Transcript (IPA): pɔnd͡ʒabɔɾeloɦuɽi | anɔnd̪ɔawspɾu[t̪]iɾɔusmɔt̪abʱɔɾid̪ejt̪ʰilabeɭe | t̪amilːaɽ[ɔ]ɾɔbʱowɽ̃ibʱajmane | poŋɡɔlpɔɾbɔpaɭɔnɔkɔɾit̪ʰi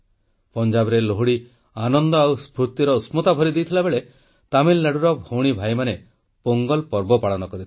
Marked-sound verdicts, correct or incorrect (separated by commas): correct, incorrect